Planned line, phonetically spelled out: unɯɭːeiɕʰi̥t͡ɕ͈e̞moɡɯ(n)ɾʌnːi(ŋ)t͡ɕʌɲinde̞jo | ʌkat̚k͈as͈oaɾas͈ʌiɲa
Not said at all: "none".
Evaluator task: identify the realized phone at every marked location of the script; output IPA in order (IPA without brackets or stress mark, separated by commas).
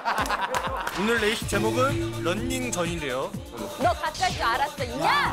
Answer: n, ŋ